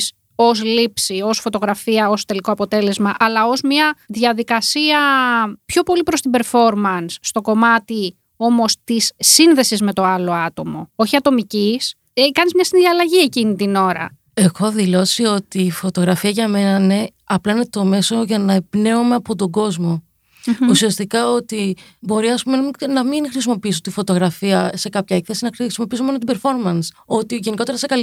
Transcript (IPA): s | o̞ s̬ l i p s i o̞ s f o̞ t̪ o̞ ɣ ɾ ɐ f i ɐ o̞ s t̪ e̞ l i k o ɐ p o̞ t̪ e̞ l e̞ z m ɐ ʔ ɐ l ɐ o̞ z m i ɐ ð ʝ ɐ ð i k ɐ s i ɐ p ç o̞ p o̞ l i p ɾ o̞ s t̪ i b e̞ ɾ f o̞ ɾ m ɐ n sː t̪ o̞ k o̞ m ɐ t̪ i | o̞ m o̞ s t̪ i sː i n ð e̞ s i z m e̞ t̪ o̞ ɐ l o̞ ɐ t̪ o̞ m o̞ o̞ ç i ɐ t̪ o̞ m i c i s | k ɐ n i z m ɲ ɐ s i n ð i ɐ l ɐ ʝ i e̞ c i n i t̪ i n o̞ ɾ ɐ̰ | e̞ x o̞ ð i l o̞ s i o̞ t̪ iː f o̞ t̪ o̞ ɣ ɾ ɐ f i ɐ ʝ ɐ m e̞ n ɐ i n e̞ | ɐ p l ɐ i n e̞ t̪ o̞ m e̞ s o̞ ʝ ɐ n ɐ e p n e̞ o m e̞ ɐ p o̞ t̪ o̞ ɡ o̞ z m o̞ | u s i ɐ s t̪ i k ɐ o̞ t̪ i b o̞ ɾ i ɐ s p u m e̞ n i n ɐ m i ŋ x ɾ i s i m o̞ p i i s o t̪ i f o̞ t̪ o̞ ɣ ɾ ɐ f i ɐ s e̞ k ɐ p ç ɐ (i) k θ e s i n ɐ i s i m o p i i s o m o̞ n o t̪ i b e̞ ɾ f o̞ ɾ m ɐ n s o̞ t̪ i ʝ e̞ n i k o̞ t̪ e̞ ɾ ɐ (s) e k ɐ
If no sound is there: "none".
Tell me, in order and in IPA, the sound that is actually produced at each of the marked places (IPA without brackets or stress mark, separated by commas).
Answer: e, s